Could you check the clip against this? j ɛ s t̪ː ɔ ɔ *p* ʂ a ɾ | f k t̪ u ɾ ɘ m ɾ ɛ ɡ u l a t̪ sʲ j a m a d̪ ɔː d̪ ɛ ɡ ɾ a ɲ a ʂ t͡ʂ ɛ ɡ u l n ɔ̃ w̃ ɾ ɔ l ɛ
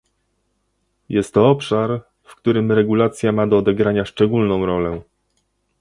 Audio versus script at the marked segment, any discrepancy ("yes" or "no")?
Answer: no